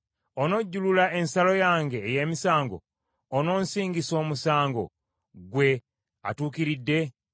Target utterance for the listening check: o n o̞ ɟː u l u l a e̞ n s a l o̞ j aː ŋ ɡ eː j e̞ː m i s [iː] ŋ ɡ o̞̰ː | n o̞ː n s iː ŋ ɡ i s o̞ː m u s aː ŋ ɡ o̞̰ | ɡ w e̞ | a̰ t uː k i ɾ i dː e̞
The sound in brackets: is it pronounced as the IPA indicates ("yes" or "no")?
no